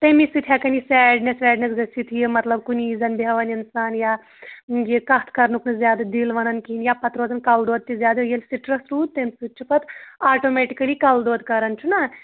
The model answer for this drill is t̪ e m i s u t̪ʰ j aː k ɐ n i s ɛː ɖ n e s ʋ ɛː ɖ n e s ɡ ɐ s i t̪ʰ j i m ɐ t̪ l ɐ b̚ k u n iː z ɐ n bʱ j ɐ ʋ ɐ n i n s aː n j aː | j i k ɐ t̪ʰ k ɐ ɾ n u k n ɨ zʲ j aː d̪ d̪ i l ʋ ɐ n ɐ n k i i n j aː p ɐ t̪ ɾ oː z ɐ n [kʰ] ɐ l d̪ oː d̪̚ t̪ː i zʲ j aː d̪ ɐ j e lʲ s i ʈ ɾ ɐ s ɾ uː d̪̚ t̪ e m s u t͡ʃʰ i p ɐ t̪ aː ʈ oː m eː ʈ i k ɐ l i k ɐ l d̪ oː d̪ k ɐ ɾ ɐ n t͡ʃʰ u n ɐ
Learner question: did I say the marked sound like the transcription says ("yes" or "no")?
no